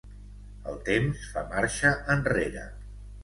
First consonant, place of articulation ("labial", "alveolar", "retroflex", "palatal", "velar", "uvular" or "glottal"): alveolar